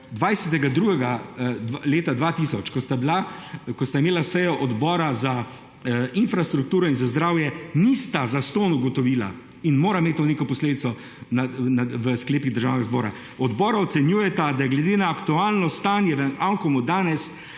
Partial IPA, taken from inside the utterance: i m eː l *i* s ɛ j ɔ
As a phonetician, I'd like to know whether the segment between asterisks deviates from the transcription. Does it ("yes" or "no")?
yes